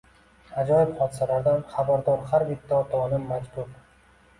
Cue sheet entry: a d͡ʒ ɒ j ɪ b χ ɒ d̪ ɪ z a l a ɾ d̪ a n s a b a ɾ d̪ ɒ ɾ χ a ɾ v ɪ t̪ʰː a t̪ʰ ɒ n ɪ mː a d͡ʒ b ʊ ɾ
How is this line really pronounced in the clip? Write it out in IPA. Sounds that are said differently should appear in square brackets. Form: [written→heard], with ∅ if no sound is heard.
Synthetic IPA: a d͡ʒ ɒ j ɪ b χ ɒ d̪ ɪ [z→s] a l a ɾ d̪ a n [s→χ] a b a ɾ d̪ ɒ ɾ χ a ɾ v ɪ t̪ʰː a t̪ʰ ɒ n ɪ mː a d͡ʒ b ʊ ɾ